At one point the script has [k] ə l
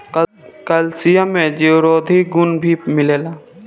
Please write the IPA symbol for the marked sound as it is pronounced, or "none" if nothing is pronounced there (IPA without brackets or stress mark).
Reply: k